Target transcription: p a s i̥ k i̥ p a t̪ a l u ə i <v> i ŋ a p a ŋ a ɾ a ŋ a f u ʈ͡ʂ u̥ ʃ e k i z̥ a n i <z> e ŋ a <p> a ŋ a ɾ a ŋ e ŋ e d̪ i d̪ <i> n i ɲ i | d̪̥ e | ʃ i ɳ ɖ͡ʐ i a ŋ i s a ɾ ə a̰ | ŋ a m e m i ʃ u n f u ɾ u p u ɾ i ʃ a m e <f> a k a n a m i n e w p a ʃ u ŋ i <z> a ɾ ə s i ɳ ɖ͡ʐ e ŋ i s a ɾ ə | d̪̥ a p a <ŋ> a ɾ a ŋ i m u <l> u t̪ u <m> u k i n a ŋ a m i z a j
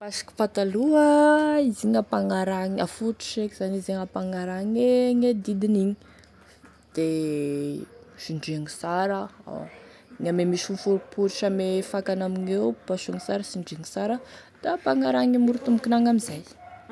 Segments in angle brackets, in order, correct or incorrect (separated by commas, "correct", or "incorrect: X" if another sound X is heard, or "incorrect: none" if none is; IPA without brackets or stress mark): incorrect: z, correct, correct, correct, correct, incorrect: s, correct, incorrect: ɾ, correct